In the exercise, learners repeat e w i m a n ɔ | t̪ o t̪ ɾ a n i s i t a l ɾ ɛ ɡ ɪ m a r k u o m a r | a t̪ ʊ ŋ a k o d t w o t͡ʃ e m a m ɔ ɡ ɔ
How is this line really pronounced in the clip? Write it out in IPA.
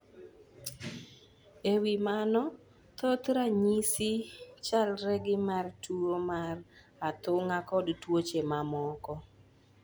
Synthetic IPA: e w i m a n ɔ | t̪ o t̪ ɾ a ɲ i s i t͡ʃ a l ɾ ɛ ɡ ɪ m a r t u o m a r | a t̪ ʊ ŋ a k ɔ d t w o t͡ʃ e m a m ɔ k ɔ